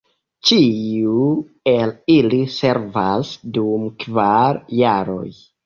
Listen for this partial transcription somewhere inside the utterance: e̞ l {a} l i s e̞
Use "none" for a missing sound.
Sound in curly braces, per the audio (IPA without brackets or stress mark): i